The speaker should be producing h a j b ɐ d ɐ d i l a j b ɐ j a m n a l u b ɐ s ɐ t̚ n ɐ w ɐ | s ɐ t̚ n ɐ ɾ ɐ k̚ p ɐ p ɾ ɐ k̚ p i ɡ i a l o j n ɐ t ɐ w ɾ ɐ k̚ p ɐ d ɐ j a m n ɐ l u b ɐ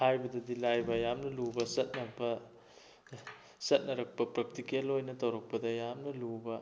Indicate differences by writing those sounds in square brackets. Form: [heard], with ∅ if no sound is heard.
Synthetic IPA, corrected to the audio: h a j b ɐ d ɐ d i l a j b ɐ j a m n [ɐ] l u b ɐ s ɐ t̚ n ɐ [b] ɐ | s ɐ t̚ n ɐ ɾ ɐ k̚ p ɐ p ɾ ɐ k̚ [t] i [k] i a l o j n ɐ t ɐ w ɾ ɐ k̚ p ɐ d ɐ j a m n ɐ l u b ɐ

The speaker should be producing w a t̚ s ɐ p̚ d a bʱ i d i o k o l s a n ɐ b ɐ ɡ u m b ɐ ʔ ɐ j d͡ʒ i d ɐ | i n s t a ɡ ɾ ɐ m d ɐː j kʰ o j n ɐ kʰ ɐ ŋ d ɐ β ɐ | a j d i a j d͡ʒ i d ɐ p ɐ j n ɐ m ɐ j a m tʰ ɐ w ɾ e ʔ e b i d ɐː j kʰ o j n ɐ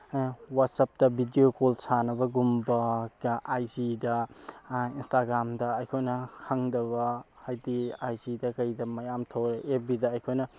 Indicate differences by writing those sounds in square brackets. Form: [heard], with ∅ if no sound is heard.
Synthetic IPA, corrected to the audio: w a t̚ s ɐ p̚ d [ɐ] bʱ i d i o k o l s a n ɐ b ɐ ɡ u m b ɐ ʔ [a] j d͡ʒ i d ɐ | i n s t a ɡ ɾ [a] m d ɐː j kʰ o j n ɐ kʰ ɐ ŋ d ɐ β ɐ | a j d i a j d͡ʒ i d ɐ [k] ɐ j [d] ɐ m ɐ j a m tʰ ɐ w ɾ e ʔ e b i d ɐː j kʰ o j n ɐ

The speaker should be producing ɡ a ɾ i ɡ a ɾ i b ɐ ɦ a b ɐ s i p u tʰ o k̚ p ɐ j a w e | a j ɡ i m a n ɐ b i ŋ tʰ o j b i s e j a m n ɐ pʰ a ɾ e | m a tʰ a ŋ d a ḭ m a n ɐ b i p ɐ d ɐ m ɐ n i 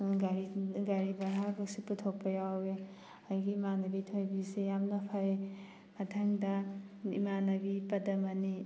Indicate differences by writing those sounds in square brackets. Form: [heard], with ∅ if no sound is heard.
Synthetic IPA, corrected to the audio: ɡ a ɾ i ɡ a ɾ i b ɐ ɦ a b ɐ s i p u tʰ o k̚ p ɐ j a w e | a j ɡ i m a n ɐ b i [∅] tʰ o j b i s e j a m n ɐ pʰ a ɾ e | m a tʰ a ŋ d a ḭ m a n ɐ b i p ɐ d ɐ m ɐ n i

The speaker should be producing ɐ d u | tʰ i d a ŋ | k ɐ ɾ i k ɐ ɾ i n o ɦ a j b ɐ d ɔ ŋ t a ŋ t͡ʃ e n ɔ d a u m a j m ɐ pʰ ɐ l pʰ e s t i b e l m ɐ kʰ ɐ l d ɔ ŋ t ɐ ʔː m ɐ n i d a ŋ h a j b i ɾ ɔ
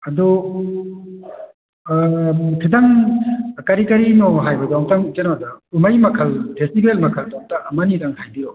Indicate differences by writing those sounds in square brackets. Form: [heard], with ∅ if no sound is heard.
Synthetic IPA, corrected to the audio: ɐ d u | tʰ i d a ŋ | k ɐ ɾ i k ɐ ɾ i n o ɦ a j b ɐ d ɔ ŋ t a ŋ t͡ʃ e n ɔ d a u m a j m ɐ [kʰ] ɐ l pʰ e s t i b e l m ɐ kʰ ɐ l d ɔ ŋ t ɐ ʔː m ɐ n i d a ŋ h a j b i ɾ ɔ

